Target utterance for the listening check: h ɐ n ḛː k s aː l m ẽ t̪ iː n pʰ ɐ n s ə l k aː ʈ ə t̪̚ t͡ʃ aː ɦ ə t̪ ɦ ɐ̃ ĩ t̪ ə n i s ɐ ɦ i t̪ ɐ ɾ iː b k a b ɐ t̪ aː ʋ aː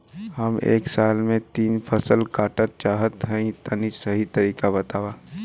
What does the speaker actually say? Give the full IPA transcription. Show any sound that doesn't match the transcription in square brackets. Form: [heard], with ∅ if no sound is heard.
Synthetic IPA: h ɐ [m] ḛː k s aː l m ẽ t̪ iː n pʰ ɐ [∅] s ə l k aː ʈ ə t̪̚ t͡ʃ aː ɦ ə t̪ ɦ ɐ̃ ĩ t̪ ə n i s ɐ ɦ i t̪ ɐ ɾ iː [∅] k a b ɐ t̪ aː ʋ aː

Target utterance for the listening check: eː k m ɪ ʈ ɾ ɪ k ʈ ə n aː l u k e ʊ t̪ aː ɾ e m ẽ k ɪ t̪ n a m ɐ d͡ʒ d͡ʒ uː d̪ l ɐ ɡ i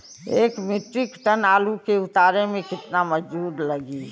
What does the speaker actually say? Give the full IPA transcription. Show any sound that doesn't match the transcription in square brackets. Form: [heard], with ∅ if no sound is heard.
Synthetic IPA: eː k m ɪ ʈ ɾ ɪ k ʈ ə n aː l u k e ʊ t̪ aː ɾ e m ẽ k ɪ t̪ n a m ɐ d͡ʒ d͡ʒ uː d̪ l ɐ ɡ i

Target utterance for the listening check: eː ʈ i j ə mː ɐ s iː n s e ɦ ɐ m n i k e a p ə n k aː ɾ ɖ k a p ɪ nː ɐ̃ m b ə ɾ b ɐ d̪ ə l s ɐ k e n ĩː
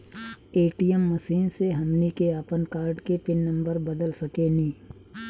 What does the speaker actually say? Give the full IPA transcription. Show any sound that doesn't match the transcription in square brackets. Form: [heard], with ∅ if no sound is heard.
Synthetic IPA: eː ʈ i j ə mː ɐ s iː n s e ɦ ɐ m n i k e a p ə n k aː ɾ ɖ k [e] p ɪ nː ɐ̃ m b ə ɾ b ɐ d̪ ə l s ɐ k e n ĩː

